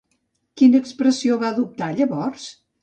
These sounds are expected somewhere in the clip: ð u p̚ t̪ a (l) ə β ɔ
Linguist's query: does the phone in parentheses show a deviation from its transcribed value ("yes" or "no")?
yes